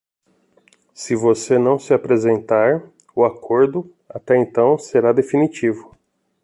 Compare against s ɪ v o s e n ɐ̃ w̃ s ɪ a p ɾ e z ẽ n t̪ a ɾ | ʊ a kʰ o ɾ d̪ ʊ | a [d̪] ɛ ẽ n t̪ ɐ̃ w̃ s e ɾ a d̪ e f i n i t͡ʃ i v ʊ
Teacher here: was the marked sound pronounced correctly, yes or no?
no